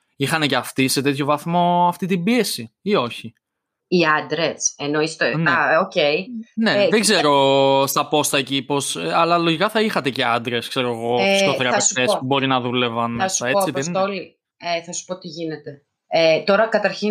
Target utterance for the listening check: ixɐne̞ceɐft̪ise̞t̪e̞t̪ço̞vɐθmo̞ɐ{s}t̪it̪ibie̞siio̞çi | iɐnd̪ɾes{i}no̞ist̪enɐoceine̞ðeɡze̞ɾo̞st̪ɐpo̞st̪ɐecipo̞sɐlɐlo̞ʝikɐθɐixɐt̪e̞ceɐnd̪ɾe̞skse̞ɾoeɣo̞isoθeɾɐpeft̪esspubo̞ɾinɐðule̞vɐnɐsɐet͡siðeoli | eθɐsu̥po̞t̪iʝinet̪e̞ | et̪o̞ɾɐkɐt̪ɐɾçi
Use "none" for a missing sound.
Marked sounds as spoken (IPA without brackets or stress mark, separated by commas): f, e